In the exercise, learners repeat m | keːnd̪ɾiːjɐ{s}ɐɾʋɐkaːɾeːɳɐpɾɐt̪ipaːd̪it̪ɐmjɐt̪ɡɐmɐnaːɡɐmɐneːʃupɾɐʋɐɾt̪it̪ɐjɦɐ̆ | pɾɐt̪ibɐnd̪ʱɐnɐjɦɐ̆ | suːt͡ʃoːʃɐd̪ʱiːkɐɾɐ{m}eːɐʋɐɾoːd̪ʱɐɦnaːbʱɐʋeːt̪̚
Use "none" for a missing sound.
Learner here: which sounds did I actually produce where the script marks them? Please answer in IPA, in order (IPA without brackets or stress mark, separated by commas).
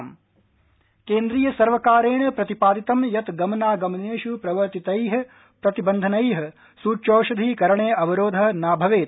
s, ɳ